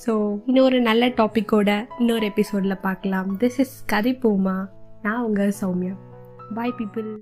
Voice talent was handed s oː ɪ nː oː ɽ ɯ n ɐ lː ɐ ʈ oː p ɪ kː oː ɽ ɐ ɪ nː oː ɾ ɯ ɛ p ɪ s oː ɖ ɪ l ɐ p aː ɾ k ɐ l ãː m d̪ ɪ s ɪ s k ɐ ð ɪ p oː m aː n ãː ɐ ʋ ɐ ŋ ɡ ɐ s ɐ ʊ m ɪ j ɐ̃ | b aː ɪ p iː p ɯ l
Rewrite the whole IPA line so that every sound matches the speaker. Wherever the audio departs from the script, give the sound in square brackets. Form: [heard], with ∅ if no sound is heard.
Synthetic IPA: s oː ɪ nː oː [ɾ] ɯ n ɐ lː ɐ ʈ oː p ɪ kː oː ɽ ɐ ɪ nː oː ɾ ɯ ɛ p ɪ s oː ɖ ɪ l ɐ p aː ɾ k ɐ l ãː m d̪ ɪ s ɪ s k ɐ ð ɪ p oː m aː n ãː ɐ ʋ ɐ ŋ ɡ ɐ s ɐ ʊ m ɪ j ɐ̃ | b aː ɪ p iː p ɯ l